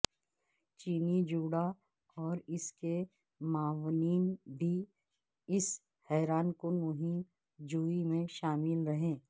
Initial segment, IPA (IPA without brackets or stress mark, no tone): t͡ʃ